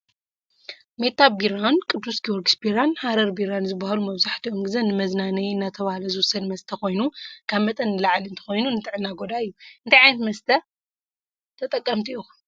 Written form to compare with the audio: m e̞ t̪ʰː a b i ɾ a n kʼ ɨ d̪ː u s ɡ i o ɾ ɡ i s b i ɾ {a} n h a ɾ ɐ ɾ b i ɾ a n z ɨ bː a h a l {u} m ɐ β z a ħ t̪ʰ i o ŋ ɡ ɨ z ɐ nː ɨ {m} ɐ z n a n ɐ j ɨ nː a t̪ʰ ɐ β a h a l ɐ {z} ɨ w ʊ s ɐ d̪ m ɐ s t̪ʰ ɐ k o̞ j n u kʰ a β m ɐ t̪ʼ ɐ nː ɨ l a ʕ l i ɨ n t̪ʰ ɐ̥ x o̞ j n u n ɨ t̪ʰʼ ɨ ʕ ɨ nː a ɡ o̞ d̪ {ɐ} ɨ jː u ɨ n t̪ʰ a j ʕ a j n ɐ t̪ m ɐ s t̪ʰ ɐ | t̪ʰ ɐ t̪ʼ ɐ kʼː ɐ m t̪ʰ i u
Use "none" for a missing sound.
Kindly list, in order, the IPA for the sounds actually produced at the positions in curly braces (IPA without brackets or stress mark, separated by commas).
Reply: a, u, m, z, a